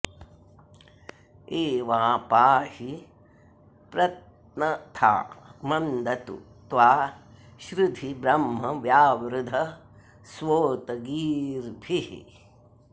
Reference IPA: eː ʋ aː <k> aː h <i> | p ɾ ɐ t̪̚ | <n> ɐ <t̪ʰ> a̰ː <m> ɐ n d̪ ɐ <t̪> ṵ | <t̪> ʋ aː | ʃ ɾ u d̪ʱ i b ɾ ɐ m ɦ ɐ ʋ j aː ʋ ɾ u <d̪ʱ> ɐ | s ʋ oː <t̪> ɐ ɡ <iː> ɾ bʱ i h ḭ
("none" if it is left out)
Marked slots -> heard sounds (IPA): p, i, n, t̪ʰ, m, t̪, t̪, d̪ʱ, t̪, iː

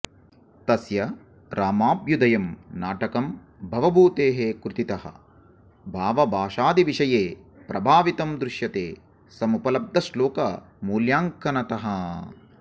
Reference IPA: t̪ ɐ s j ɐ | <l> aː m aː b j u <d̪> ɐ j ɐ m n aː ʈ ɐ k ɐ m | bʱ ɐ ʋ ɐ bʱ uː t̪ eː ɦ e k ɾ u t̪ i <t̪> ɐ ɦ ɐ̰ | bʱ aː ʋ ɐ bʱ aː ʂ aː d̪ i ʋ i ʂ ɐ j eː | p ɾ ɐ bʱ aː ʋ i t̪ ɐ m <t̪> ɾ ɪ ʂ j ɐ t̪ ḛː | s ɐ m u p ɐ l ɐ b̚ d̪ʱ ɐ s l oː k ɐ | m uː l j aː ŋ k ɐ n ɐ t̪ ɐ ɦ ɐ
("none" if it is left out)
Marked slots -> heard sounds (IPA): ɾ, d̪, t̪, d̪

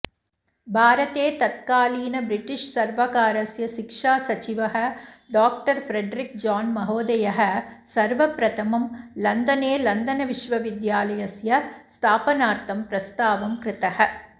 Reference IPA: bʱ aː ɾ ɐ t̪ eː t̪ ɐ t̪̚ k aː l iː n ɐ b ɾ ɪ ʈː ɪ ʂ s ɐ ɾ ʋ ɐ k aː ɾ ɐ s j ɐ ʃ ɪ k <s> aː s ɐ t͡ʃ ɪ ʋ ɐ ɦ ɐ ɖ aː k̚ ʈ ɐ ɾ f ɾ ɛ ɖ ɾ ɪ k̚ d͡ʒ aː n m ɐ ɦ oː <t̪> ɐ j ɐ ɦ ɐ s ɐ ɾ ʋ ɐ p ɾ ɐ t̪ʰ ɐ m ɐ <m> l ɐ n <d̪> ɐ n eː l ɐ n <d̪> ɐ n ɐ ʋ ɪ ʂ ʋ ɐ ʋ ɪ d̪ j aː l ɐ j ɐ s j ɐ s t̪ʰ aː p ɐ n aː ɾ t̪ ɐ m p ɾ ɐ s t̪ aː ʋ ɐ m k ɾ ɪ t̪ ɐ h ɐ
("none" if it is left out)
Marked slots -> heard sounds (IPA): ʂ, d̪, m, d̪, d̪

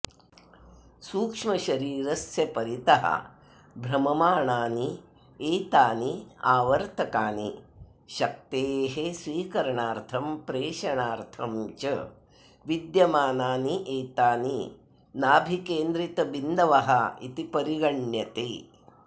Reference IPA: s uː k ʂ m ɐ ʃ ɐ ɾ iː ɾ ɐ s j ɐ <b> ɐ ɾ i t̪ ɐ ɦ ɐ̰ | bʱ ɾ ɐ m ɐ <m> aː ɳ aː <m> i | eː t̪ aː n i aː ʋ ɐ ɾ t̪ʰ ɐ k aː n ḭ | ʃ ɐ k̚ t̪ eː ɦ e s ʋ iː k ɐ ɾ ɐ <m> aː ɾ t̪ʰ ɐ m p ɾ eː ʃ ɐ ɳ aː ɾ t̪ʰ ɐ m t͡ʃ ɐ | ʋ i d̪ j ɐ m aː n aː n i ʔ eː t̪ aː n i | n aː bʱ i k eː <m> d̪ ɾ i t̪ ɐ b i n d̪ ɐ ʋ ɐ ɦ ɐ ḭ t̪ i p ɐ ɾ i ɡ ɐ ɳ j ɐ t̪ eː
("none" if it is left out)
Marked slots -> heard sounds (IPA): p, m, n, ɳ, n

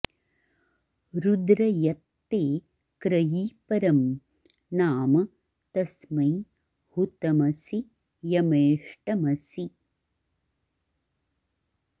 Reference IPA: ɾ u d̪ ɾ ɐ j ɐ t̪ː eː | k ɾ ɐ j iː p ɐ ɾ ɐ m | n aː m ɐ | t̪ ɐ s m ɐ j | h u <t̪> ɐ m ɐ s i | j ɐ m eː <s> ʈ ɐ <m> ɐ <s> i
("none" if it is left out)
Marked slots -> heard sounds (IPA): t̪, ʂ, m, s

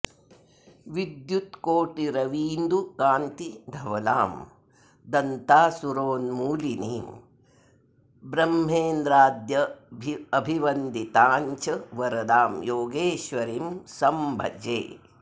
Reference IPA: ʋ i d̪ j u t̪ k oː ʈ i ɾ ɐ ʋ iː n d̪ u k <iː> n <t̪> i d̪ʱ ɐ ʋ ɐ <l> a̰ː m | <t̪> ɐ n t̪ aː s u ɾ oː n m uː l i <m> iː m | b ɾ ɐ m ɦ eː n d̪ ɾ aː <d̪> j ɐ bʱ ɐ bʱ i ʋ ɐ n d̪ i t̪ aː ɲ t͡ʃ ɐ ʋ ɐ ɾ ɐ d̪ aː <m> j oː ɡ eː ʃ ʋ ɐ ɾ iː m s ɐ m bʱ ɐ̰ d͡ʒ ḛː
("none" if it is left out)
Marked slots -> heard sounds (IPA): aː, t̪, l, d̪, n, d̪, m

